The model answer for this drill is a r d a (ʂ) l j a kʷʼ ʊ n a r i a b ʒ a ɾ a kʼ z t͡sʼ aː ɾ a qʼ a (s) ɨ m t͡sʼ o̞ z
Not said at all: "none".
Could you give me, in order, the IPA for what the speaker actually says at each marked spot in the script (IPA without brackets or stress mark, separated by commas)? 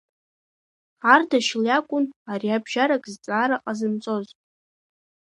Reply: ʃ, z